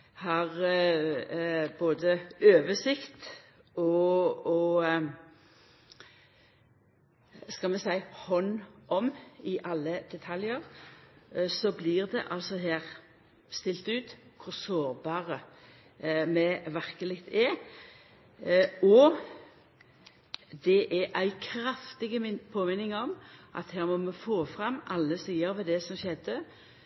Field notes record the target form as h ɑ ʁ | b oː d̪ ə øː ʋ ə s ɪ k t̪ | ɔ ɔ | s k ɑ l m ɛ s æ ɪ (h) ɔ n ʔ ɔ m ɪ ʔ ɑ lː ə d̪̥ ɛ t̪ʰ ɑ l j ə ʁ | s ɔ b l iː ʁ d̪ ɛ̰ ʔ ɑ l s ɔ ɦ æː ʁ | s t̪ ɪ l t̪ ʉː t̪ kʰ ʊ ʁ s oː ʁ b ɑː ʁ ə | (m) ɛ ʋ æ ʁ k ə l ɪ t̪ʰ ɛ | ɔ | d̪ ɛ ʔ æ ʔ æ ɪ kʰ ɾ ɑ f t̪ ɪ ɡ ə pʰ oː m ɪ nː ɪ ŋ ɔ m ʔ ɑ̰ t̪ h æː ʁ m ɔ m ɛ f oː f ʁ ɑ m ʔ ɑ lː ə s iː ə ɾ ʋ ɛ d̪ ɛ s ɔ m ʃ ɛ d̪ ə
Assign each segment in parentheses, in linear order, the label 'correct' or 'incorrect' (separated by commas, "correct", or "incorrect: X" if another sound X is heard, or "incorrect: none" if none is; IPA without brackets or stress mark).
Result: correct, correct